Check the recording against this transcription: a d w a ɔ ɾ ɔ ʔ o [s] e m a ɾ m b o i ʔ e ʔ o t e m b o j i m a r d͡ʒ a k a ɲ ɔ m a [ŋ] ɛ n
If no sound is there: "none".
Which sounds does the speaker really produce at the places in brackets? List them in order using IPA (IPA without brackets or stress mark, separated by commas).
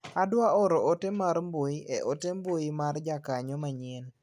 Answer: t, ɲ